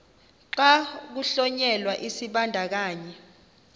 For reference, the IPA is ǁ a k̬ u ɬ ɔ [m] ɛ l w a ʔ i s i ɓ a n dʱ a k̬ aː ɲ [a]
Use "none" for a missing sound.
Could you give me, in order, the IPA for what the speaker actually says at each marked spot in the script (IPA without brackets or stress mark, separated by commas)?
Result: ɲ, ɛ